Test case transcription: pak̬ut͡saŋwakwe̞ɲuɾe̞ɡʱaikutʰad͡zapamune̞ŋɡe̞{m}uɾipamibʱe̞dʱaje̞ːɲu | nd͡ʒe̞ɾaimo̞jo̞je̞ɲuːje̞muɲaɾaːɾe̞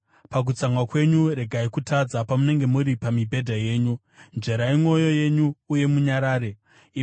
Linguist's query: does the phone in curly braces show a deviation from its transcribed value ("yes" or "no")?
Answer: no